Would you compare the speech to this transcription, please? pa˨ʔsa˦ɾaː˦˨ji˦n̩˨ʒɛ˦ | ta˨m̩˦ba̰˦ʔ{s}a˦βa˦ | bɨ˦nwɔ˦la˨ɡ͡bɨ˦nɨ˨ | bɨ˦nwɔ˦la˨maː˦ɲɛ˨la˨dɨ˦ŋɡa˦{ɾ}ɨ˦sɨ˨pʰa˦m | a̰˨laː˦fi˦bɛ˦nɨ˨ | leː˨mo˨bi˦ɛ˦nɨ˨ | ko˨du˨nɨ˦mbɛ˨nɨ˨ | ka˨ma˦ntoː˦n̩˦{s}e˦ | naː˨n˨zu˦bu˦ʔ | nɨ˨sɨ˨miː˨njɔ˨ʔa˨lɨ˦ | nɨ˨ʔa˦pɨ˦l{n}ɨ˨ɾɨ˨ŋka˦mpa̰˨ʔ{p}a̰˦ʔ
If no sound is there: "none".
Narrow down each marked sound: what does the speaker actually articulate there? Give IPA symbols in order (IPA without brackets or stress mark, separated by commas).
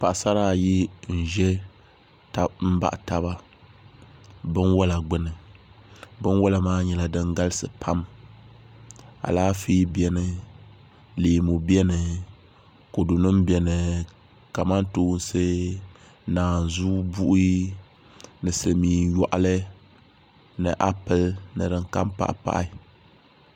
t, l, s, n, p